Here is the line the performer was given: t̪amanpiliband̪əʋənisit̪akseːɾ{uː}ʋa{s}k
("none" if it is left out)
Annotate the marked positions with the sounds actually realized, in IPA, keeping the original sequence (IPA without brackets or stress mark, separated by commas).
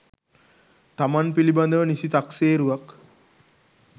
u, none